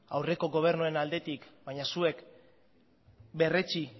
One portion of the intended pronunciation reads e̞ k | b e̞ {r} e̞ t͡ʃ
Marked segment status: correct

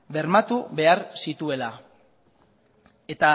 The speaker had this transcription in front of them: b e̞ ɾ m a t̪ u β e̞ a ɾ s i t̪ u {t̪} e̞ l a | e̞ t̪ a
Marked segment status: incorrect: none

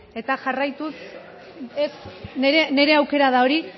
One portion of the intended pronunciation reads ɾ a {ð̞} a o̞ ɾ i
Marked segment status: correct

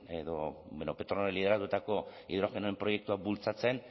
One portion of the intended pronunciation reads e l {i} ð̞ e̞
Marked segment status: correct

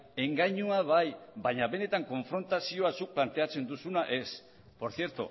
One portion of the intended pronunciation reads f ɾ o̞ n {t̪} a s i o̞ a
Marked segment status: correct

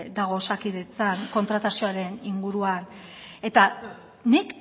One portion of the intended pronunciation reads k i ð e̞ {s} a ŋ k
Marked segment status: incorrect: t͡s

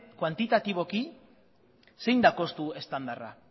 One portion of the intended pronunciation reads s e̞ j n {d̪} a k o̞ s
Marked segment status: correct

